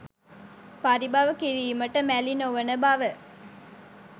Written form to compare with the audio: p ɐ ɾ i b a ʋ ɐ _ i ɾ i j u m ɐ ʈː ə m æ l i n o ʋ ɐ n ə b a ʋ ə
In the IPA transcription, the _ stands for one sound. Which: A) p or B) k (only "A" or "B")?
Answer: B